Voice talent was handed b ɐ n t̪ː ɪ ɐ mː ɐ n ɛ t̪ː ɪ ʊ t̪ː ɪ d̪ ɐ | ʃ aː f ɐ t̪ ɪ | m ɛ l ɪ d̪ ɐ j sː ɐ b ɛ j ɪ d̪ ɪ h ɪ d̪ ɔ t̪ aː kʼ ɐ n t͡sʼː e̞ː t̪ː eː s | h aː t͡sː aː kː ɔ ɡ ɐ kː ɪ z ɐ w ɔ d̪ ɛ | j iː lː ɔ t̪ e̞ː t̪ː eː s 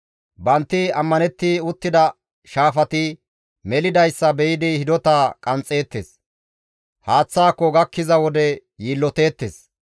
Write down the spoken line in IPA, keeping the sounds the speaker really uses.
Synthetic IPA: b ɐ n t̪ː ɪ ɐ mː ɐ n ɛ t̪ː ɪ ʊ t̪ː ɪ d̪ ɐ | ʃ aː f ɐ t̪ ɪ | m ɛ l ɪ d̪ ɐ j sː ɐ b ɛ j ɪ d̪ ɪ h ɪ d̪ ɔ t̪ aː kʼ ɐ n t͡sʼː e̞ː t̪ː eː s | h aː t͡sː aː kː ɔ ɡ ɐ kː ɪ z ɐ w ɔ d̪ ɛ | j iː lː ɔ t̪ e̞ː t̪ː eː s